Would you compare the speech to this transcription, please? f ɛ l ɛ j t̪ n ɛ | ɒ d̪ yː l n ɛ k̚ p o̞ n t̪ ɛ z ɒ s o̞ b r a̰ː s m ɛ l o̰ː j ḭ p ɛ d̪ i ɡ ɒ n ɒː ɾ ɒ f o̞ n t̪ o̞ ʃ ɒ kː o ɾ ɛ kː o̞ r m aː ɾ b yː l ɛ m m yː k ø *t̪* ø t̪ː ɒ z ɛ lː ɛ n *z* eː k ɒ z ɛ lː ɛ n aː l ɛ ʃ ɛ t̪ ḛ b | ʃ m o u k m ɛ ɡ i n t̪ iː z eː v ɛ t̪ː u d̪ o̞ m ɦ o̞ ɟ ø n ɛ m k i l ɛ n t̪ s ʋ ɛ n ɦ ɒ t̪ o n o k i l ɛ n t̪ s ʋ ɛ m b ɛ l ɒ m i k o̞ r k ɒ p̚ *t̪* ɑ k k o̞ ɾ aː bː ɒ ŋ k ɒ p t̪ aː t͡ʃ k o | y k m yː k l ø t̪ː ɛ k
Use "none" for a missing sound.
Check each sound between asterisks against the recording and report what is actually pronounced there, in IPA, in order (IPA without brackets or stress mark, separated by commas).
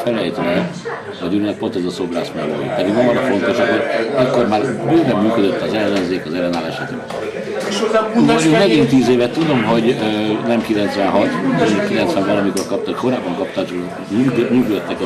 d̪, z, t̪